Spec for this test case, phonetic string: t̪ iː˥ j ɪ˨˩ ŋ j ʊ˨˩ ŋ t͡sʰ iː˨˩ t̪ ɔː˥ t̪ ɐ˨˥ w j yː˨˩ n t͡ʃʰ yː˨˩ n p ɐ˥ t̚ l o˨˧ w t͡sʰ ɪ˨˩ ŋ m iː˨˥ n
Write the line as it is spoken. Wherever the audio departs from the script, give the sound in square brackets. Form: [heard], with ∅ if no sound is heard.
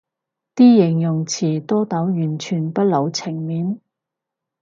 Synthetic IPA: t̪ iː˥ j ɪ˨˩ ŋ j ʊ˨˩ ŋ t͡sʰ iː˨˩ t̪ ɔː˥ t̪ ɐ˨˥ w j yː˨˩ n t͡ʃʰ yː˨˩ n p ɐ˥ t̚ l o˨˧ w t͡sʰ ɪ˨˩ ŋ m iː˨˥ n